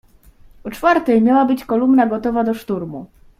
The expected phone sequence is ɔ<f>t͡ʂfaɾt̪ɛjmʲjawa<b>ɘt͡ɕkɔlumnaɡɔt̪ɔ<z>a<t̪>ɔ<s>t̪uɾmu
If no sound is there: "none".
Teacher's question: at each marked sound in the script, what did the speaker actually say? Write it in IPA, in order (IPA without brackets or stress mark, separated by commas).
none, b, v, d̪, ʂ